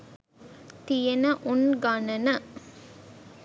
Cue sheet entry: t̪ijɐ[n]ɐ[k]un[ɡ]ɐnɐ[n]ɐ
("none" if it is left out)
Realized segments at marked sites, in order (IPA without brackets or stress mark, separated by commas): n, ʔ, ɡ, n